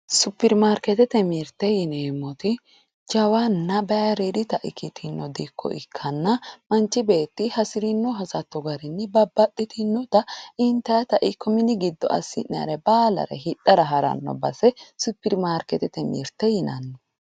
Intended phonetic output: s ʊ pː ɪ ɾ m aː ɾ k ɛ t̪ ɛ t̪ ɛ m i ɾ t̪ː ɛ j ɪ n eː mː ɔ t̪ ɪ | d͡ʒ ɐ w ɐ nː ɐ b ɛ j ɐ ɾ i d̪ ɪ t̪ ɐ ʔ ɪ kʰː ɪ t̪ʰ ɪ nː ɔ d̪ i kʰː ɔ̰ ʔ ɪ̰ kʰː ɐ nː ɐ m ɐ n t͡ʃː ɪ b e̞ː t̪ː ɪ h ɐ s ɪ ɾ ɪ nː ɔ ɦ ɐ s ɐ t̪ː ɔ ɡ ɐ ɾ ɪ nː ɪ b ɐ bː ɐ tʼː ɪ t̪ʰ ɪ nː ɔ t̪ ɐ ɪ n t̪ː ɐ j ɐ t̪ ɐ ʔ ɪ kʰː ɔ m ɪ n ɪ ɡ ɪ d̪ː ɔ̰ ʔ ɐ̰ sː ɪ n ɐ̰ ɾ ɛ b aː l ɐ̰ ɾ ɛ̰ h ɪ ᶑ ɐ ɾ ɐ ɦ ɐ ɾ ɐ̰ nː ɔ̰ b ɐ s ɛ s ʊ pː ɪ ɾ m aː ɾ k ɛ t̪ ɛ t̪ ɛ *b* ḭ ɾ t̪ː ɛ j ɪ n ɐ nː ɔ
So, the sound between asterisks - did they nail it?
no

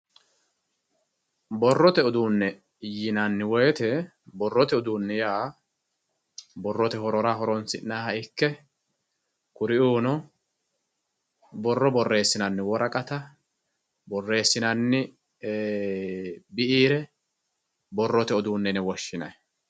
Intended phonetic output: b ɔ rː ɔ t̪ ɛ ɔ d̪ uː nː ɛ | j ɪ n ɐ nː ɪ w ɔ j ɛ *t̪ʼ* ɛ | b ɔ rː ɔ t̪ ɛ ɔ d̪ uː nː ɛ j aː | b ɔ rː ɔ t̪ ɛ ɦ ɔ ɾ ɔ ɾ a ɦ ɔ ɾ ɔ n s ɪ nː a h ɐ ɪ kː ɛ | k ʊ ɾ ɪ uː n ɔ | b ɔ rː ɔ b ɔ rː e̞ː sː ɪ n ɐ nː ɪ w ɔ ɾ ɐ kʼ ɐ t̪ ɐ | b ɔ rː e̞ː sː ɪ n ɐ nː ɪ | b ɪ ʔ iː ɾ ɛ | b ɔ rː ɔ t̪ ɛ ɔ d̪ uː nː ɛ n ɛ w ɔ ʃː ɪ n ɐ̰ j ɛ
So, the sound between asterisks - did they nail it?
no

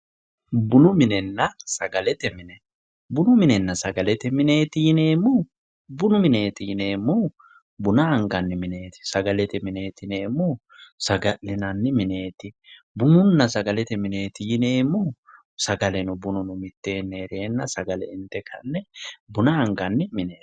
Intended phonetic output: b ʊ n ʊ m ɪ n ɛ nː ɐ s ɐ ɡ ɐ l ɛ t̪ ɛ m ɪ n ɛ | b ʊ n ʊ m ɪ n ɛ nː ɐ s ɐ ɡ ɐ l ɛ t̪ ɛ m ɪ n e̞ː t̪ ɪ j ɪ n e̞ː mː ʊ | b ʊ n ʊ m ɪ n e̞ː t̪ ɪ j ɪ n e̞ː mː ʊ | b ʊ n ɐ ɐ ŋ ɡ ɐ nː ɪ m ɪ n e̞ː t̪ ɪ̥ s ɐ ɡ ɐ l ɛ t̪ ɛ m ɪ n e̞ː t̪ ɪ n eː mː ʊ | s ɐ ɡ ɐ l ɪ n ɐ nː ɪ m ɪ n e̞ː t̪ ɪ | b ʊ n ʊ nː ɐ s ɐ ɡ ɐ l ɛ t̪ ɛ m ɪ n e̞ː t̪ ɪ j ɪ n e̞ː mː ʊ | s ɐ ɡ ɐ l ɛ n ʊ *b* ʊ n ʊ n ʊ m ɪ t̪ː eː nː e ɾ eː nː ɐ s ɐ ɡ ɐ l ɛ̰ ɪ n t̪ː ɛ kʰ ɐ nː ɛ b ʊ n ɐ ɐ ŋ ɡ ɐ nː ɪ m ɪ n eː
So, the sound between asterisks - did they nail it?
yes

